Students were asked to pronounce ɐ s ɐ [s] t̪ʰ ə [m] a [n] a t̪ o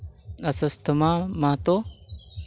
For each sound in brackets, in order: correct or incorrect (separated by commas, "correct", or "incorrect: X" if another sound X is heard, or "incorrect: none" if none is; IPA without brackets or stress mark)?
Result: correct, correct, incorrect: m